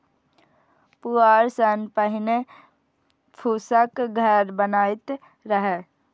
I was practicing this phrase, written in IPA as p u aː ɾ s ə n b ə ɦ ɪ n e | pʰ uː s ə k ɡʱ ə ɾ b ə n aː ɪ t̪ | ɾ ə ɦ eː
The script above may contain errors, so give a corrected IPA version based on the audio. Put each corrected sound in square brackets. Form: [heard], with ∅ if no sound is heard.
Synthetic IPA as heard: p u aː ɾ s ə n [p] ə ɦ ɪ n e | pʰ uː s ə k ɡʱ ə ɾ b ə n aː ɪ t̪ | ɾ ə ɦ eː